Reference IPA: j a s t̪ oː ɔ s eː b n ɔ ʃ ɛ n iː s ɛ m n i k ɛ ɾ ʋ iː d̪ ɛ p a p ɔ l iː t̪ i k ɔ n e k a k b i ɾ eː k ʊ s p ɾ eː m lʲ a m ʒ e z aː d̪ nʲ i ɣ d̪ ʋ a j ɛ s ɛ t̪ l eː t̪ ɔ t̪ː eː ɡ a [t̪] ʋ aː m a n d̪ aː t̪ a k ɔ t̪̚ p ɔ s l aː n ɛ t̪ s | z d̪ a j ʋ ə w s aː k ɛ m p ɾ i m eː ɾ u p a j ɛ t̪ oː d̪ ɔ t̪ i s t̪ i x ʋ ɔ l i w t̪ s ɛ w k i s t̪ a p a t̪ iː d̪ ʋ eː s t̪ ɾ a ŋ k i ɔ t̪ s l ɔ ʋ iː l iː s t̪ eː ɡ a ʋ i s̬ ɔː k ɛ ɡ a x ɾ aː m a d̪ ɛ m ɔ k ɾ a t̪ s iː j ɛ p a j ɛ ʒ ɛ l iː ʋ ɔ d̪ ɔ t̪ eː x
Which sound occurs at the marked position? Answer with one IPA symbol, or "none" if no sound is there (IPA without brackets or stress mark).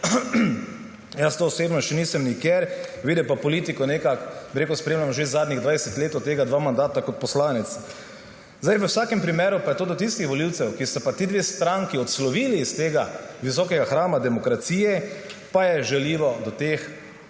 d̪